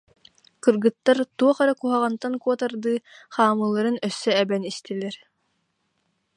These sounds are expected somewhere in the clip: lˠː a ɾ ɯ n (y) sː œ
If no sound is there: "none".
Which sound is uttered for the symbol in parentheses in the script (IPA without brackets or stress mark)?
œ